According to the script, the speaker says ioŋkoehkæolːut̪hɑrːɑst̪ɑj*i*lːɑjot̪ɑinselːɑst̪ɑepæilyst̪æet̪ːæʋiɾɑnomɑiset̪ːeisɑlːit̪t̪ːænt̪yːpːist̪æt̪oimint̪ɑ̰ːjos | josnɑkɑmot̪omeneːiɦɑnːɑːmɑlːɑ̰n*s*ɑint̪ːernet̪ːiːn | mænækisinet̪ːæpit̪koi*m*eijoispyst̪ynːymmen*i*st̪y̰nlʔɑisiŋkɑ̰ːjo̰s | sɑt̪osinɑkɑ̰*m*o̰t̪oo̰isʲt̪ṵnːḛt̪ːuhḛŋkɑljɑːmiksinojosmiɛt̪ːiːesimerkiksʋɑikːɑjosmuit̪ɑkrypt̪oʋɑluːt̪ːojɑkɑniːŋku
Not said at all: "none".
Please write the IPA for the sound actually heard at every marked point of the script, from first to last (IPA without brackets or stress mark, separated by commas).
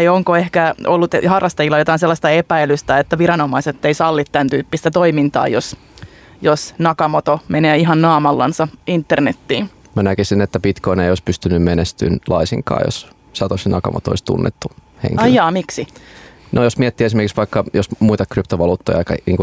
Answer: i, s, n, e, m